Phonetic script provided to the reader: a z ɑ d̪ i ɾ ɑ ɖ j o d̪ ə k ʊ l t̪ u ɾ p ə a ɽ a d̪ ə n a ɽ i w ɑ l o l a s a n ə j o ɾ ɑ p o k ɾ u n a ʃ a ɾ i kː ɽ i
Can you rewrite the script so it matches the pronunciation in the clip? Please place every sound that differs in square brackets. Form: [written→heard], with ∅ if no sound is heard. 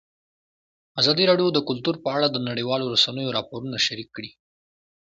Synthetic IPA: a z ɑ d̪ i ɾ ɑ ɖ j o d̪ ə k ʊ l t̪ u ɾ p ə a ɽ a d̪ ə n a ɽ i w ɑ l o [l→ɾ] a s a n ə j o ɾ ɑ p o [k→∅] ɾ u n a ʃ a ɾ i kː ɽ i